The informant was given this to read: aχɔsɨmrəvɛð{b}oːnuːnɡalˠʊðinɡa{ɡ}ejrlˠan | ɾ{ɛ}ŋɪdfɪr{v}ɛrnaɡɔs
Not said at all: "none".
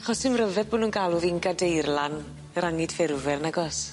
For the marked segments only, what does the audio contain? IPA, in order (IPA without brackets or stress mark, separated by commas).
b, d, a, v